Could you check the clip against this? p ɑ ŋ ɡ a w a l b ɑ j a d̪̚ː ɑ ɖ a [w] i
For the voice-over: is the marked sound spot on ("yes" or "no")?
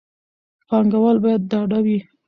yes